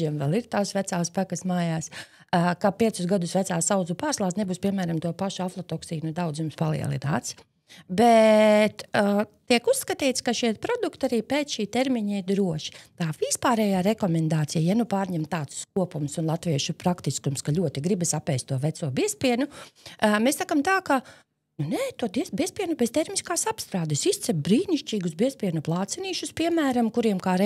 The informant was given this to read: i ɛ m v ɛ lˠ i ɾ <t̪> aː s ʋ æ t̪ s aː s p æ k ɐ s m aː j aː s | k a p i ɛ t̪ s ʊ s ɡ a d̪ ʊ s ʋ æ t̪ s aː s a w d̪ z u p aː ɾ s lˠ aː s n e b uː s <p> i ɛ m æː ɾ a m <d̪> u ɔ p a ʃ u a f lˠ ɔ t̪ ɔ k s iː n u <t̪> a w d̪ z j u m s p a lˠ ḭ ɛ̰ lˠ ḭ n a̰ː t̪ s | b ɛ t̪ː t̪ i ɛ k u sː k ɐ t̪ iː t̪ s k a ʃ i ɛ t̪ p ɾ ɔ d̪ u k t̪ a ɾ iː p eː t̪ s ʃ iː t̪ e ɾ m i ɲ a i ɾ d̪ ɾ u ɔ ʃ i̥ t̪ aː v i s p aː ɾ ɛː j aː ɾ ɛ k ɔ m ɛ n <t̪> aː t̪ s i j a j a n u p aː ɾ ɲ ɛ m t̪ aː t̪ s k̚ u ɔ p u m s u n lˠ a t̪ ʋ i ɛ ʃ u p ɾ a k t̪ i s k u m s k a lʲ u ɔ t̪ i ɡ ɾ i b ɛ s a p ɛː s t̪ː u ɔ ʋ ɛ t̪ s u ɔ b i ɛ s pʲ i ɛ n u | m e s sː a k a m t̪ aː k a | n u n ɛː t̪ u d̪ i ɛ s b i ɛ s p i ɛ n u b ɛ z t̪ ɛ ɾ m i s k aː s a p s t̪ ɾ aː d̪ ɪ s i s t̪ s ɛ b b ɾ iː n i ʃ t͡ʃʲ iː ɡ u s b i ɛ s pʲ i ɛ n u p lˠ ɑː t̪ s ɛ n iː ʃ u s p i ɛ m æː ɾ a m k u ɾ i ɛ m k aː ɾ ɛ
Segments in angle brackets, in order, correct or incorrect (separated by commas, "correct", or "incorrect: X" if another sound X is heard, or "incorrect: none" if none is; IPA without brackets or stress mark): correct, correct, incorrect: t̪, incorrect: d̪, incorrect: d̪